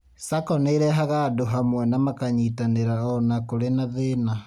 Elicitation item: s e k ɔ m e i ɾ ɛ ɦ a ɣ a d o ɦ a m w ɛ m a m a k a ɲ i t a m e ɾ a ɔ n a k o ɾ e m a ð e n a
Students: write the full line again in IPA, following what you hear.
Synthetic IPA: s a k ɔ n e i ɾ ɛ ɦ a ɣ a d o ɦ a m w ɛ n a m a k a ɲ i t a n e ɾ a ɔ n a k o ɾ e n a ð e n a